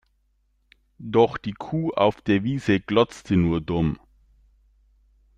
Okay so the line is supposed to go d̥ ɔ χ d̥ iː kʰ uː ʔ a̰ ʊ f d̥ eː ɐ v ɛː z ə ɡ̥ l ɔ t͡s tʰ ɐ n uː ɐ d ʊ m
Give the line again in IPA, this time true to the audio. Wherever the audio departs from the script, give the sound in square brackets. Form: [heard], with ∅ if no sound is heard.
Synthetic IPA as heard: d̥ ɔ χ d̥ iː kʰ uː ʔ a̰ ʊ f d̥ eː ɐ v [iː] z ə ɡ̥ l ɔ t͡s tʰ [ə] n uː ɐ d ʊ m